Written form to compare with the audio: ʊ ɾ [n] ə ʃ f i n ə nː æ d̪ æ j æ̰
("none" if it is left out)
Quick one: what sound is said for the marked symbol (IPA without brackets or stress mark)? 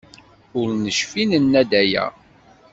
n